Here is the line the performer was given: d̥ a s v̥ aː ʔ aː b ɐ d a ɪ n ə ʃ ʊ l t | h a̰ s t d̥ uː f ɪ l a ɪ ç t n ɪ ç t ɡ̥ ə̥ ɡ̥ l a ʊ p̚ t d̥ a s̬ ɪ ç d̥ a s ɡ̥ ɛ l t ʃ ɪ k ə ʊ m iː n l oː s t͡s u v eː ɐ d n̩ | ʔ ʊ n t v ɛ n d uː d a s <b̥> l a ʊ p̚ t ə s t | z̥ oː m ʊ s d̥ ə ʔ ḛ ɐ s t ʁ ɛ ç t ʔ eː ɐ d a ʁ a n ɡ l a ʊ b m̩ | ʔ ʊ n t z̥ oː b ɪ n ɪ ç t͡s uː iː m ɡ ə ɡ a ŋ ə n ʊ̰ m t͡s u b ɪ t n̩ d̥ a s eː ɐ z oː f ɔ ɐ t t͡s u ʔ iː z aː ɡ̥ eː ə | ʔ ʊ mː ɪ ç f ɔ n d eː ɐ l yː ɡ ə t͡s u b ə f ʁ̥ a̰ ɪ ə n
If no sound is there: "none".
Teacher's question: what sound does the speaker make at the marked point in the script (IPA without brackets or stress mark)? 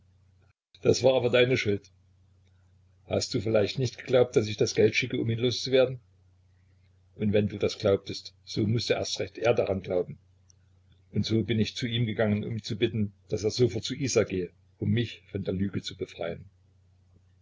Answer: ɡ̥